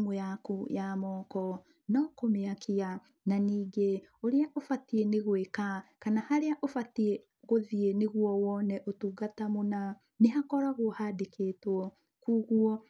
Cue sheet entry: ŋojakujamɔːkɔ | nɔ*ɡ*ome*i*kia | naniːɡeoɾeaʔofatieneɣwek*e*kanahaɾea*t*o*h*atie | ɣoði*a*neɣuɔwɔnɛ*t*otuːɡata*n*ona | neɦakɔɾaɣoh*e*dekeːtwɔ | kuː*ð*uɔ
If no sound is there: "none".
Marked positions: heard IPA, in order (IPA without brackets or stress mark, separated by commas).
k, a, a, ʔ, f, e, ʔ, m, a, ɣ